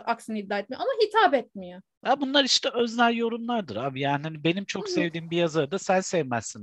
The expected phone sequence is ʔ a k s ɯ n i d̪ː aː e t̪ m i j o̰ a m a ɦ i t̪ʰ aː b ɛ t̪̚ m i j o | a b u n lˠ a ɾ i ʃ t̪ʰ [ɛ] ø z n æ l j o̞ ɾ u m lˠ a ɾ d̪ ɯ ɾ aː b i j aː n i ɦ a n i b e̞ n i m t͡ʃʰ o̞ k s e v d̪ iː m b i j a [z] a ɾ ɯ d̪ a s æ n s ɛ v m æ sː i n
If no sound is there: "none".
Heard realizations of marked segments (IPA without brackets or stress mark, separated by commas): ɛ, z